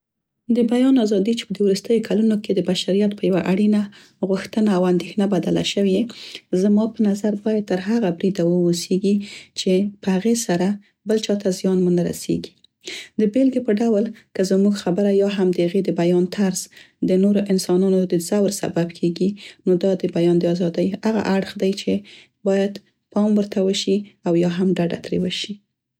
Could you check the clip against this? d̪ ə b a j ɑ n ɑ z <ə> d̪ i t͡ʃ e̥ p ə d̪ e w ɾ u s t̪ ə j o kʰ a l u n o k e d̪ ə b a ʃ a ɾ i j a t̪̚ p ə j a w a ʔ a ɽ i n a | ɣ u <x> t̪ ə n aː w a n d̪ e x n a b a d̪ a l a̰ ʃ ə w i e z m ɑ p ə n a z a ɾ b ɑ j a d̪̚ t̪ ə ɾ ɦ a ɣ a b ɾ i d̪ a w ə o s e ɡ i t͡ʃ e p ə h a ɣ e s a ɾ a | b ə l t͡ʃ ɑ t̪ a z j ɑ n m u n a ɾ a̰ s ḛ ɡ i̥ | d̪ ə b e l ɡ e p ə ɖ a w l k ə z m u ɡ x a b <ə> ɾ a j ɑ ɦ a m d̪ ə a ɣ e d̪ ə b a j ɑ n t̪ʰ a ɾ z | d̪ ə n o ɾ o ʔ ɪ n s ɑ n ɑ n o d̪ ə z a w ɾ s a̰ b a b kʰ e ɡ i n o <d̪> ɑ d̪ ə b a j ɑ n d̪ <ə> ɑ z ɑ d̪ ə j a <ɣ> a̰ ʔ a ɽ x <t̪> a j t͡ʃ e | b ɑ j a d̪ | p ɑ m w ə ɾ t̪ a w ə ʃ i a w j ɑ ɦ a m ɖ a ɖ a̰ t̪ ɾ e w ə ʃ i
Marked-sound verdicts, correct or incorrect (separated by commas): incorrect, correct, correct, correct, correct, correct, incorrect